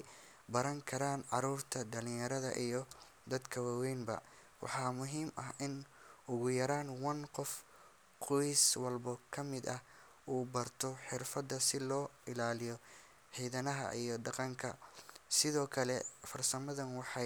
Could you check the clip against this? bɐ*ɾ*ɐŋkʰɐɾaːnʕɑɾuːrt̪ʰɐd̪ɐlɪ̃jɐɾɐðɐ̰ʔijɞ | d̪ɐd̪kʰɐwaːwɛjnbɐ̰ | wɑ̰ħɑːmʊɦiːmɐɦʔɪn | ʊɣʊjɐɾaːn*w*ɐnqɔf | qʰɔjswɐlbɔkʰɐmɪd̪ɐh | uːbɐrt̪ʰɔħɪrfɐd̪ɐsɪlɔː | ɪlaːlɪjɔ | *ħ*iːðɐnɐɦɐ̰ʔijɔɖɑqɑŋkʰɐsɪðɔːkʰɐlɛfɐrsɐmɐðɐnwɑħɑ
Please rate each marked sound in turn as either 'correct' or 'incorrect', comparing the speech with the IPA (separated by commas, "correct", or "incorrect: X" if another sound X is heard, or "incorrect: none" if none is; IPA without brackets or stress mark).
correct, correct, correct